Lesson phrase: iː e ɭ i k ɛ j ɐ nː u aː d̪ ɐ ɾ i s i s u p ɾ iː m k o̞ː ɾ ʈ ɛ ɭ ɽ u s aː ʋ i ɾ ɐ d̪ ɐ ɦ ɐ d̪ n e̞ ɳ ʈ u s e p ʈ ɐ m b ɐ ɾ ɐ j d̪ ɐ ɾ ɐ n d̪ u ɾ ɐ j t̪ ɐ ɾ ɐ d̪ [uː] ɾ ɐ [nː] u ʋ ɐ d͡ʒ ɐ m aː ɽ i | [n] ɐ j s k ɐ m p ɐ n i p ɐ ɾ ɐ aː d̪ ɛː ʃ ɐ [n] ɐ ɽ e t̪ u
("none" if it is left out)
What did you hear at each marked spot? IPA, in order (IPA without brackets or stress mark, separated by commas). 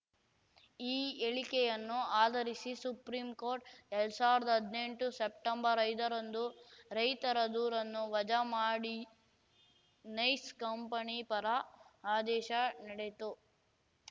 uː, nː, n, n